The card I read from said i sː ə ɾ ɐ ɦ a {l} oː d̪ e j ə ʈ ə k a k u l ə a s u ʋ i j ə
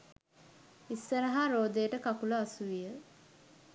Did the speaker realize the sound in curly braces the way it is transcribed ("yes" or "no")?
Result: no